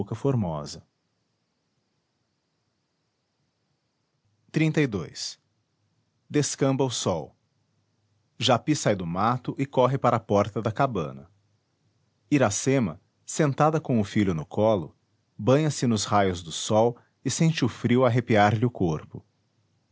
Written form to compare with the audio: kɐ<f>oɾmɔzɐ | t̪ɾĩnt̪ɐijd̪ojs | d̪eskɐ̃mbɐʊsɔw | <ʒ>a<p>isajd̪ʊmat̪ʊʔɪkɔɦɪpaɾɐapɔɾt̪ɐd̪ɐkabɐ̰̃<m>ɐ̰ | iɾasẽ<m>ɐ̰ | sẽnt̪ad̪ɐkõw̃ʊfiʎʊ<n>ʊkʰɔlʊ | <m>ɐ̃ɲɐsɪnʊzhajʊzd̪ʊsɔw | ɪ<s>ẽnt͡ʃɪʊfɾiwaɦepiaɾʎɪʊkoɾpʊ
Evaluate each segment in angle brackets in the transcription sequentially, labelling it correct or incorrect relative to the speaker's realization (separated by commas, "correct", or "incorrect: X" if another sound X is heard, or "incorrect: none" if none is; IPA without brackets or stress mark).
correct, correct, correct, incorrect: n, correct, correct, incorrect: b, correct